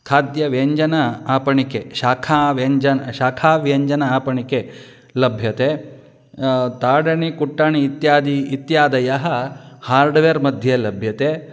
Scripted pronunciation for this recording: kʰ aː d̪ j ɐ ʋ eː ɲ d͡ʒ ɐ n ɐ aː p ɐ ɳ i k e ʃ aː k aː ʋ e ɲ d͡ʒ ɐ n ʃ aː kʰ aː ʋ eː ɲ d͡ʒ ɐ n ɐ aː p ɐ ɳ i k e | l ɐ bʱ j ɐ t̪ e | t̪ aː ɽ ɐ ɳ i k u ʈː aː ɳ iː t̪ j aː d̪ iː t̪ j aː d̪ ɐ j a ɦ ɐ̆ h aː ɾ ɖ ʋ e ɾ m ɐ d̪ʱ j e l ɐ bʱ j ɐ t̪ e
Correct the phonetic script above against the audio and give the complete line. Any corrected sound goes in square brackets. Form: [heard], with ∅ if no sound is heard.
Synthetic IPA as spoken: kʰ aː d̪ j ɐ ʋ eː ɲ d͡ʒ ɐ n ɐ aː p ɐ ɳ i k e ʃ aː [kʰ] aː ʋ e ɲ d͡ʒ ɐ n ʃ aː kʰ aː ʋ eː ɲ d͡ʒ ɐ n ɐ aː p ɐ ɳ i k e | l ɐ bʱ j ɐ t̪ e | t̪ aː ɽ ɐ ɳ i k u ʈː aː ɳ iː t̪ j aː d̪ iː t̪ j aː d̪ ɐ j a ɦ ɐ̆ h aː ɾ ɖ ʋ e ɾ m ɐ d̪ʱ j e l ɐ bʱ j ɐ t̪ e